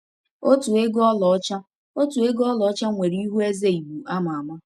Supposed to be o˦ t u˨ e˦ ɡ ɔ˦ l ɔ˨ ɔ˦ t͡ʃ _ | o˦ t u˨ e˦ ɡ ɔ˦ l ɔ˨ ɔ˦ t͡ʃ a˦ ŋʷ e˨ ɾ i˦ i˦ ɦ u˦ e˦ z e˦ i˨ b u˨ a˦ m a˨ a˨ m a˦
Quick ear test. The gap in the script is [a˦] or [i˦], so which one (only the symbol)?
a˦